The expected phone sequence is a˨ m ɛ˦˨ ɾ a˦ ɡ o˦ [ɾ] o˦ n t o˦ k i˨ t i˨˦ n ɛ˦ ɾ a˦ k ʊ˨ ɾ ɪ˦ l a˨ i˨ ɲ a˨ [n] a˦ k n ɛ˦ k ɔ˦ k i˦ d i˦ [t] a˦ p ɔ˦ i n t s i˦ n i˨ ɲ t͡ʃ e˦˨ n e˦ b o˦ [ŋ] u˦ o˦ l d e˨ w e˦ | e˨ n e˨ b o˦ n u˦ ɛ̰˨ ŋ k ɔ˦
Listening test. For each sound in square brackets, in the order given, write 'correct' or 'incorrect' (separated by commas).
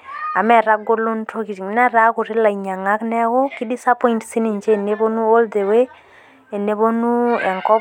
incorrect, incorrect, incorrect, incorrect